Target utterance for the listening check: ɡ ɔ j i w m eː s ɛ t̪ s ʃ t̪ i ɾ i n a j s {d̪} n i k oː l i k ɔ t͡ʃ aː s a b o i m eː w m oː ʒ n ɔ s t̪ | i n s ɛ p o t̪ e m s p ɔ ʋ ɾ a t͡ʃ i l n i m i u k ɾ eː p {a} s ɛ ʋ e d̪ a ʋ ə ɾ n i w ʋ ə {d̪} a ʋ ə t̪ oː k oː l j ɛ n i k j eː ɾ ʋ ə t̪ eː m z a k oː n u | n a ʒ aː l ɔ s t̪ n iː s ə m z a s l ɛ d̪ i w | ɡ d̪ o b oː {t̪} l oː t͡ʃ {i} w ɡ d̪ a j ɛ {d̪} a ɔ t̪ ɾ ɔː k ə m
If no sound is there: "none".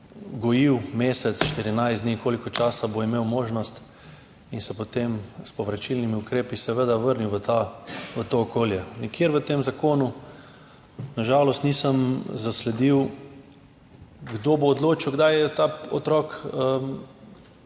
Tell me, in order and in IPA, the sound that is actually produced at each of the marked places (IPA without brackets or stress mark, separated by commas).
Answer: d̪, i, t̪, d̪, i, t̪